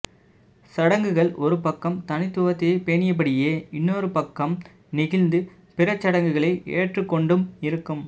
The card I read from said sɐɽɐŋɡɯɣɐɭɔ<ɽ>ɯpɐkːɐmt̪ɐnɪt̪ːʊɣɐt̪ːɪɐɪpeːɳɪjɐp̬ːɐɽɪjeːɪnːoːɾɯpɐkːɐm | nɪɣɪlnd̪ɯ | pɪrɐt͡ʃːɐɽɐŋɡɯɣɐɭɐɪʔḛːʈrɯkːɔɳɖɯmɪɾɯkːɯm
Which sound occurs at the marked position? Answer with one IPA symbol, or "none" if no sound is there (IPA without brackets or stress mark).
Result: ɾ